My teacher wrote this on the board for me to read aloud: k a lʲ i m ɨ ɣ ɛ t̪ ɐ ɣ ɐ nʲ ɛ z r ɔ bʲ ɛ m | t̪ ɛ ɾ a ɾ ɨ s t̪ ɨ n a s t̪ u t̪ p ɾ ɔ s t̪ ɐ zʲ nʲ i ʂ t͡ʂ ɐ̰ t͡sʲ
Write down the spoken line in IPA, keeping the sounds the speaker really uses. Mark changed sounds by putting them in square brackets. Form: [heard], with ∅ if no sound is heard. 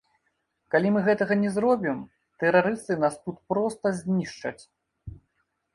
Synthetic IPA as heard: k a lʲ i m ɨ ɣ ɛ t̪ ɐ ɣ ɐ nʲ ɛ z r ɔ bʲ [i] m | t̪ ɛ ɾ a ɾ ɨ s t̪ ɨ n a s t̪ u t̪ p ɾ ɔ s t̪ ɐ zʲ nʲ i ʂ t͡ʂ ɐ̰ t͡sʲ

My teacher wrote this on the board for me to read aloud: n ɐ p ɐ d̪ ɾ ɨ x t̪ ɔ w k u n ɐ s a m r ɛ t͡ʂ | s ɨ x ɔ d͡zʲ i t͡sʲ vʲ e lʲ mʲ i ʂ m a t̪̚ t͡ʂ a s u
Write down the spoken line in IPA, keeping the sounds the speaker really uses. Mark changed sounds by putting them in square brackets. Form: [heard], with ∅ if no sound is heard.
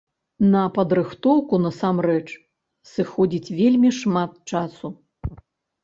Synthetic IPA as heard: n ɐ p ɐ d̪ ɾ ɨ x t̪ ɔ w k u n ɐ s a m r ɛ t͡ʂ | s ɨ x ɔ d͡zʲ i t͡sʲ vʲ e lʲ mʲ i ʂ m a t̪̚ t͡ʂ a s u

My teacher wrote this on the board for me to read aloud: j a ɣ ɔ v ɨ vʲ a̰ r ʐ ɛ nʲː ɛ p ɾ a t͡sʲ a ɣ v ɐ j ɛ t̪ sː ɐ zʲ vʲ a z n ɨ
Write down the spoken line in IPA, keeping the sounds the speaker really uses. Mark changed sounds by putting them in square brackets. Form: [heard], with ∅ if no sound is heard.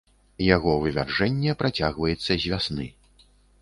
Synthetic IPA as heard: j a ɣ ɔ v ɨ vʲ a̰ r ʐ ɛ nʲː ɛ p ɾ a t͡sʲ a ɣ v ɐ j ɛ t̪ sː ɐ zʲ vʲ a [s] n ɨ

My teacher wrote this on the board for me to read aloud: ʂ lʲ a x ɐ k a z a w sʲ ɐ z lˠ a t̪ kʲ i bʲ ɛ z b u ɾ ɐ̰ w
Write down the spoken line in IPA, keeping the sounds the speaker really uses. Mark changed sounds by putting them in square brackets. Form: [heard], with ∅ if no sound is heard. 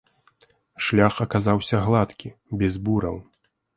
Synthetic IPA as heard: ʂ lʲ a x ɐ k a z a w sʲ ɐ [ɣ] lˠ a t̪ kʲ i bʲ ɛ z b u ɾ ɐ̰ w

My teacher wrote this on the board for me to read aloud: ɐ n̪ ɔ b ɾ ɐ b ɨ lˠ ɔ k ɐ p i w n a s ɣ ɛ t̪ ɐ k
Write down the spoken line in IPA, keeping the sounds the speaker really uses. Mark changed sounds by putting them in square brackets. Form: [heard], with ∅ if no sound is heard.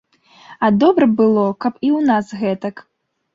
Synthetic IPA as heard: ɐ [d̪] ɔ b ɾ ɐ b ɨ lˠ ɔ k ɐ p i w n a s ɣ ɛ t̪ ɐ k

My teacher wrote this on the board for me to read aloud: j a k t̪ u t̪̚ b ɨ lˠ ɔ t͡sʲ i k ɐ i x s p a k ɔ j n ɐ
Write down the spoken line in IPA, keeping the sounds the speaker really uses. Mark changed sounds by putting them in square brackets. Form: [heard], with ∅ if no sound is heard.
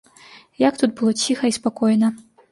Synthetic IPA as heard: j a k t̪ u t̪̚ b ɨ lˠ ɔ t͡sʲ i [x] ɐ i [∅] s p a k ɔ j n ɐ

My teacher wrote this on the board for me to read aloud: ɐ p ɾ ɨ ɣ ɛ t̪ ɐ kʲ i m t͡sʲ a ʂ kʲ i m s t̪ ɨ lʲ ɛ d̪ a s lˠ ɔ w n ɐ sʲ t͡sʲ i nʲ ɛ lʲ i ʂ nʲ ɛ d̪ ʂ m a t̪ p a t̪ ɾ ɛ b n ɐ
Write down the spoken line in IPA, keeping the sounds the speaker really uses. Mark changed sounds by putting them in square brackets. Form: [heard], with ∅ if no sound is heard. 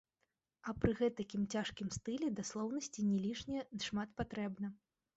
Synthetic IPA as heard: ɐ p ɾ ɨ ɣ ɛ t̪ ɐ kʲ i m t͡sʲ a ʂ kʲ i m s t̪ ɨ lʲ ɛ d̪ a s lˠ ɔ w n ɐ sʲ t͡sʲ i nʲ ɛ lʲ i ʂ nʲ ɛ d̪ ʂ m a t̪ p a t̪ ɾ ɛ b n ɐ

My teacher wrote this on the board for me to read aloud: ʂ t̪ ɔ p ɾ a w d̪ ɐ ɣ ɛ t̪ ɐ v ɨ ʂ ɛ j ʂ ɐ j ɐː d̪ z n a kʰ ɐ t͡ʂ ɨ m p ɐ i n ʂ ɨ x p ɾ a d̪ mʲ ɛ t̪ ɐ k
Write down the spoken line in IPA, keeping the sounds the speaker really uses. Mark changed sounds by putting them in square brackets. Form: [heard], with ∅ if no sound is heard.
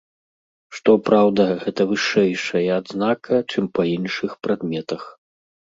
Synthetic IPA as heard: ʂ t̪ ɔ p ɾ a w d̪ ɐ ɣ ɛ t̪ ɐ v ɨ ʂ ɛ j ʂ ɐ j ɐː d̪ z n a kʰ ɐ t͡ʂ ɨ m p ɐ i n ʂ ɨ x p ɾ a d̪ mʲ ɛ t̪ ɐ [x]

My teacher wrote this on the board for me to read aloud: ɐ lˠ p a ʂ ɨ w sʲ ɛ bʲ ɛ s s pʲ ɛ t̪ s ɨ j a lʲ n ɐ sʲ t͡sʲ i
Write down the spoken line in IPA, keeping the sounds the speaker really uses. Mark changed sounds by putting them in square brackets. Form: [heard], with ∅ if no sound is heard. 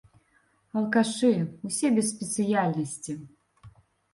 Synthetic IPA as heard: ɐ lˠ [k] a ʂ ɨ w sʲ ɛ bʲ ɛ s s pʲ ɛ t̪ s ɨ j a lʲ n ɐ sʲ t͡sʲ i

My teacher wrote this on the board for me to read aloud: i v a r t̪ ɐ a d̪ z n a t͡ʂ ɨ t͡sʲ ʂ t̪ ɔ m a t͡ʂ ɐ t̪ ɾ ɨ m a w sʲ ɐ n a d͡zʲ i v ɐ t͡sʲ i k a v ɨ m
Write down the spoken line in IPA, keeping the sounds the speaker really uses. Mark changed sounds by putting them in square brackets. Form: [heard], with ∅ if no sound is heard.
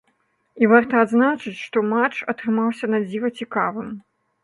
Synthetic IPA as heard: i v a r t̪ ɐ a d̪ z n a t͡ʂ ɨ t͡sʲ ʂ t̪ ɔ m a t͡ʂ ɐ t̪ ɾ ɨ m a w sʲ ɐ n a d͡zʲ i v ɐ t͡sʲ i k a v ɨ m

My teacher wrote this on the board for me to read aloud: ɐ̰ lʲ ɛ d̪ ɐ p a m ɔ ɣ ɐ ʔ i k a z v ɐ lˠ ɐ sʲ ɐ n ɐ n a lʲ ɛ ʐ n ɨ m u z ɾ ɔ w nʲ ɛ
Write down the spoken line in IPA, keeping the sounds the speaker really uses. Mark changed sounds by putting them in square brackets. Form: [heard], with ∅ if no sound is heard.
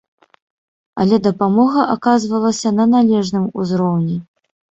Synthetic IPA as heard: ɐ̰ lʲ ɛ d̪ ɐ p a m ɔ ɣ ɐ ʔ [a] k a z v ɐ lˠ ɐ sʲ ɐ n ɐ n a lʲ ɛ ʐ n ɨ m u z ɾ ɔ w nʲ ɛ

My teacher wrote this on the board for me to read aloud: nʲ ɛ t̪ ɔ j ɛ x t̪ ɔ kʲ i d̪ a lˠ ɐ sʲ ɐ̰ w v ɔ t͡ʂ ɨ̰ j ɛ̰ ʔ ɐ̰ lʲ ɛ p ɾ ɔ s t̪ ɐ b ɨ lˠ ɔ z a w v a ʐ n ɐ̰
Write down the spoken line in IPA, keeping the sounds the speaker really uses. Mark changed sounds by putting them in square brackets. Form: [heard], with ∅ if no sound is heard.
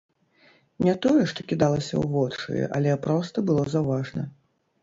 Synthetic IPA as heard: nʲ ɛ t̪ ɔ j ɛ [ʂ] t̪ ɔ kʲ i d̪ a lˠ ɐ sʲ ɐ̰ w v ɔ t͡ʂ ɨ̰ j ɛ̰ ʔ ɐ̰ lʲ ɛ p ɾ ɔ s t̪ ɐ b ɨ lˠ ɔ z a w v a ʐ n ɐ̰

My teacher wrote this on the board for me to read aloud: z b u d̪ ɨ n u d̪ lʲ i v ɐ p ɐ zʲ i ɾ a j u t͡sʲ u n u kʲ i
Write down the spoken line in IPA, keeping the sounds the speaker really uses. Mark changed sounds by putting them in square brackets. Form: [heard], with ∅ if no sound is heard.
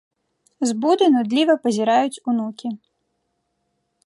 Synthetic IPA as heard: z b u d̪ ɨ n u d̪ lʲ i v ɐ p ɐ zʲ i ɾ a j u t͡sʲ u n u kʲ i

